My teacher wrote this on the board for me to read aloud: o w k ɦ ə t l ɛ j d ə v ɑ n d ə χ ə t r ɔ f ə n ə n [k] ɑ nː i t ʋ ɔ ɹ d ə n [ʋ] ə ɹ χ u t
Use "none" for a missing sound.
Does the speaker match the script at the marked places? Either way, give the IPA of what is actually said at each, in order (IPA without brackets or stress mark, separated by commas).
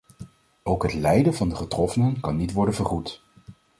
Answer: k, v